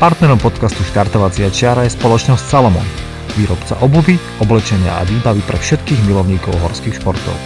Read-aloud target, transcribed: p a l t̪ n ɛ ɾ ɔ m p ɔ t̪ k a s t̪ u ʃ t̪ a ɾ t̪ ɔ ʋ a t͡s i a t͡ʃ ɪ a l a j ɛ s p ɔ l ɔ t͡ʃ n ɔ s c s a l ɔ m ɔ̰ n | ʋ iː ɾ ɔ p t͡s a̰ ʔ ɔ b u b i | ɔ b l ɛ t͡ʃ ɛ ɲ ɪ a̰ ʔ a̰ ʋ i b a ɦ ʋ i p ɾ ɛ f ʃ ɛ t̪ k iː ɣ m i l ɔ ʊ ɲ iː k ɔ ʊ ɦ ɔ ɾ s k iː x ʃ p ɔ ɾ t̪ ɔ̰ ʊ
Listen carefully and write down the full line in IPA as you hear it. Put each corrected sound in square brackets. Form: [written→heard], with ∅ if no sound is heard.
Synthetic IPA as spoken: p a [l→ɾ] t̪ n ɛ ɾ ɔ m p ɔ t̪ k a s t̪ u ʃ t̪ a ɾ t̪ ɔ ʋ a t͡s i a t͡ʃ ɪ a [l→ɾ] a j ɛ s p ɔ l ɔ t͡ʃ n ɔ s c s a l ɔ m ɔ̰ n | ʋ iː ɾ ɔ p t͡s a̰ ʔ ɔ b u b i | ɔ b l ɛ t͡ʃ ɛ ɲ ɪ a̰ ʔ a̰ ʋ [i→iː] b a [ɦ→∅] ʋ i p ɾ ɛ f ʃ ɛ t̪ k iː ɣ m i l ɔ ʊ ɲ iː k ɔ ʊ ɦ ɔ ɾ s k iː x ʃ p ɔ ɾ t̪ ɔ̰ ʊ